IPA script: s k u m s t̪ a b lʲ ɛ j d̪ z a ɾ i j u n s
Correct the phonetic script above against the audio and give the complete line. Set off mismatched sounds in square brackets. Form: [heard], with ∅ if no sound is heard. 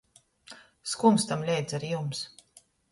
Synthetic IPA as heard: s k u m s t̪ a [m] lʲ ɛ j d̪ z a ɾ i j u [m] s